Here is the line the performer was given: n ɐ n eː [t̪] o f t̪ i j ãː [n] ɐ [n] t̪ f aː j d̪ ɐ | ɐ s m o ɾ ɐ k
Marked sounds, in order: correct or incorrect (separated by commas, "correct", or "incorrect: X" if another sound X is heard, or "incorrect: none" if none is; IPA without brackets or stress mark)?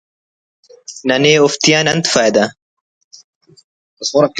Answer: incorrect: none, correct, correct